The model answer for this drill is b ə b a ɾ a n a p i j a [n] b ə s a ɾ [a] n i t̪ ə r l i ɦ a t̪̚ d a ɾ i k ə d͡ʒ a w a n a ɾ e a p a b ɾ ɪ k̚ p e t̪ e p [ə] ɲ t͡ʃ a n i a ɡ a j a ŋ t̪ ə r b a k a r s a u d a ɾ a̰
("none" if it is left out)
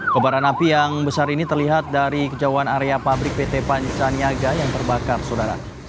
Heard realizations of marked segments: ŋ, i, a

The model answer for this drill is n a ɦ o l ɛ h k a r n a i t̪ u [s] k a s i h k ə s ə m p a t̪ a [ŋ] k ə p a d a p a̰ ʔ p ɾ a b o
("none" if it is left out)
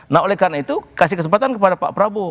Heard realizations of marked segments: none, n

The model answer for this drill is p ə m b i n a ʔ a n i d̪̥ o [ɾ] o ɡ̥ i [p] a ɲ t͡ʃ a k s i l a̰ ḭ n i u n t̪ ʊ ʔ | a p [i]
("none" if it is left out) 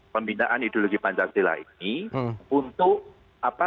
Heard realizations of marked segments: l, p, a

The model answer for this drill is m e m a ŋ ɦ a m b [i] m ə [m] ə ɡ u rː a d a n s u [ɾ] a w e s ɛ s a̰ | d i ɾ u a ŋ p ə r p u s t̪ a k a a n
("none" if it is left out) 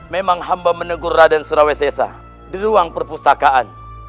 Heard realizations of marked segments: a, n, ɾ

